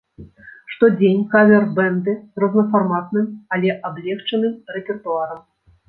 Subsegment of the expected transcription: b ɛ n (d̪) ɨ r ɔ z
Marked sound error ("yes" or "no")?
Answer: no